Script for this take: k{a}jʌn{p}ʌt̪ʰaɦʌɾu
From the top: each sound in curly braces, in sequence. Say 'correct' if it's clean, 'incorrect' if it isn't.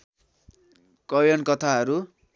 incorrect, incorrect

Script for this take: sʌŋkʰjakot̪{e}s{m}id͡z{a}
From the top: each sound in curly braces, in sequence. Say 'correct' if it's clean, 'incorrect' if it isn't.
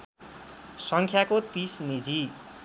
incorrect, incorrect, incorrect

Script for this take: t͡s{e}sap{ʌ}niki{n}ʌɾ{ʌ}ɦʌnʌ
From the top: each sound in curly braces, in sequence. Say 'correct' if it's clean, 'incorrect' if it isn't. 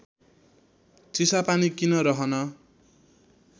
incorrect, incorrect, correct, correct

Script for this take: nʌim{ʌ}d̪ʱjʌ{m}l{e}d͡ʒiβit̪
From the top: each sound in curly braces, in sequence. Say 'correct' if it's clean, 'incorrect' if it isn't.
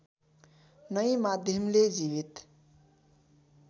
incorrect, correct, correct

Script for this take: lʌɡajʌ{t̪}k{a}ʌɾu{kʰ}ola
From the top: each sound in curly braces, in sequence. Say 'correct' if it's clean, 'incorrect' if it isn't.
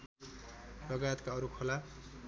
correct, correct, correct

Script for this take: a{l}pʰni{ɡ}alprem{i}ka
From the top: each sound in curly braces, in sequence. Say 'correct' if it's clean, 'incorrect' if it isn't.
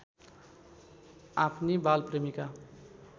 incorrect, incorrect, correct

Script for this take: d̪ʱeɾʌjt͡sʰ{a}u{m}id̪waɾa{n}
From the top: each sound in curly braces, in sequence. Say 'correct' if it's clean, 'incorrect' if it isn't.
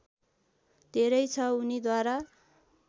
incorrect, incorrect, incorrect

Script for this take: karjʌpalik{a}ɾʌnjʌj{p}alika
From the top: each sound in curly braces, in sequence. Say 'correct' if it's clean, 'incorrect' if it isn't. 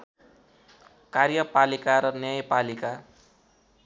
correct, correct

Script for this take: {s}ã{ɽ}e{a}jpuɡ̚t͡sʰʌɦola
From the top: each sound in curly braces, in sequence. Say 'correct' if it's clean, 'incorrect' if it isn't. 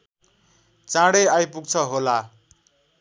incorrect, correct, correct

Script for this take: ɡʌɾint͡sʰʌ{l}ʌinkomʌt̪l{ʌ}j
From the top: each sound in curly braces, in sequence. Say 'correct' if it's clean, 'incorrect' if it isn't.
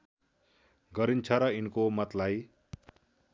incorrect, incorrect

